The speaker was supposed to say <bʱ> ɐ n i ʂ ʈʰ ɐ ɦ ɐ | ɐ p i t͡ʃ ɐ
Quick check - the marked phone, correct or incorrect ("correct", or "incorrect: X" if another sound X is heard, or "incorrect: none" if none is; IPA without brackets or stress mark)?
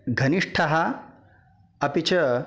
incorrect: ɡʱ